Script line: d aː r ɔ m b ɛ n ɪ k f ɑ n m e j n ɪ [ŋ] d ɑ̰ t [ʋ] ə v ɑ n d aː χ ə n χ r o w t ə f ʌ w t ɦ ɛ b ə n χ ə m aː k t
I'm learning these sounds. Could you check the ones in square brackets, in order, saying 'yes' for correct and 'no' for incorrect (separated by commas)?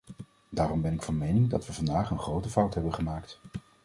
yes, yes